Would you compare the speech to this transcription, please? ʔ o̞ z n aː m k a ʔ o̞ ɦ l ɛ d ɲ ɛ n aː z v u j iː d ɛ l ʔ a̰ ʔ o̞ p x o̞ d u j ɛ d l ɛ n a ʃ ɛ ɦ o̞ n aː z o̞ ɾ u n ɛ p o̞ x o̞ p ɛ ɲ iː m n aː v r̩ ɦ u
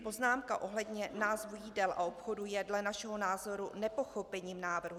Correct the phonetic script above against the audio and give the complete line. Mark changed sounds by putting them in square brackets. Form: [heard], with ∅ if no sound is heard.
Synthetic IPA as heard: [p] o̞ z n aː m k a ʔ o̞ ɦ l ɛ d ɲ ɛ n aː z v u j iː d ɛ l ʔ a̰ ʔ o̞ p x o̞ d u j ɛ d l ɛ n a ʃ ɛ ɦ o̞ n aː z o̞ ɾ u n ɛ p o̞ x o̞ p ɛ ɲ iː m n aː v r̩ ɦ u

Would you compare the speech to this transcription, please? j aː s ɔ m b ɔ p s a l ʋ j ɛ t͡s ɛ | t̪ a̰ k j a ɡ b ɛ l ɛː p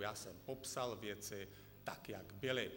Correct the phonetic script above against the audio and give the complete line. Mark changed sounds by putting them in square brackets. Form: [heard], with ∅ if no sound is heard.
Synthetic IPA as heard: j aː s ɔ m [p] ɔ p s a l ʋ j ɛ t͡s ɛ | t̪ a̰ k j a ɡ b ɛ l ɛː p

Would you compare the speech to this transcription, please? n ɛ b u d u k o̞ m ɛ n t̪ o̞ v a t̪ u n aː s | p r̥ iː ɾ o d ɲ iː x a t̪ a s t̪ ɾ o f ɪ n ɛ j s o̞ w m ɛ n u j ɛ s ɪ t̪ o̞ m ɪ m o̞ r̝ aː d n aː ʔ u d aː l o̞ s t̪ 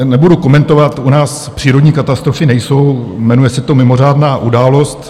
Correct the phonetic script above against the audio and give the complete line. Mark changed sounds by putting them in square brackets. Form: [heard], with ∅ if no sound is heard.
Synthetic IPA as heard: n ɛ b u d u k o̞ m ɛ n t̪ o̞ v a t̪ u n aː s | p r̥ iː ɾ o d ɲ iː [k] a t̪ a s t̪ ɾ o f ɪ n ɛ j s o̞ w m ɛ n u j ɛ s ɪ t̪ o̞ m ɪ m o̞ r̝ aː d n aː ʔ u d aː l o̞ s t̪

